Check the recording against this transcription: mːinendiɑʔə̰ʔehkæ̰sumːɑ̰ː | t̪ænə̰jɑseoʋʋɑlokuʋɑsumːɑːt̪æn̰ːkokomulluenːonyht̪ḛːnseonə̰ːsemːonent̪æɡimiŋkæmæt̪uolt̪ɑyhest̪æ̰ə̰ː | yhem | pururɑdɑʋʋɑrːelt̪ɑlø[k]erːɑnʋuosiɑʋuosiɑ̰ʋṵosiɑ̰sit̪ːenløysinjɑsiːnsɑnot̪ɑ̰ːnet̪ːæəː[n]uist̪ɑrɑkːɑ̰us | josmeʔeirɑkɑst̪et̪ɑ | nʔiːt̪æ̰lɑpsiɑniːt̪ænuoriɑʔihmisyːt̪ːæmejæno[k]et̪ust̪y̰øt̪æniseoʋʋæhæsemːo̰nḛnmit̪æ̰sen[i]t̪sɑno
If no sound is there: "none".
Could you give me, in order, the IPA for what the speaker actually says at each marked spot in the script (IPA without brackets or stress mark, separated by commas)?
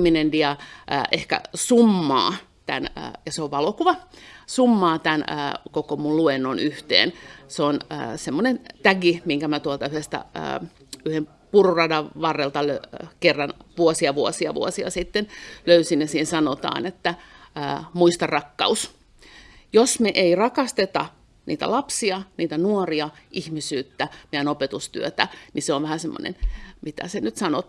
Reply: k, m, p, y